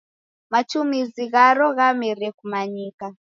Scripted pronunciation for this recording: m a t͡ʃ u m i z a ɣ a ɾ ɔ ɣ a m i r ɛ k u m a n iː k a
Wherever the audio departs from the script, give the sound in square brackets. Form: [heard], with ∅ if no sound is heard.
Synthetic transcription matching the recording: m a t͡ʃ u m i z [i] ɣ a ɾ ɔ ɣ a m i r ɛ k u m a [ɲ] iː k a